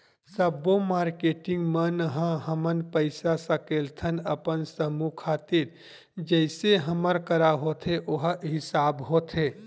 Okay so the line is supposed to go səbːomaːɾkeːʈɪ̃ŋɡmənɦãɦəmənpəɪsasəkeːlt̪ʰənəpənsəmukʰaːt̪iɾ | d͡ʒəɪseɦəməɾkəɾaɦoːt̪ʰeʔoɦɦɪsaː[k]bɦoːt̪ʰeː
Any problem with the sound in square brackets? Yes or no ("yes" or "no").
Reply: yes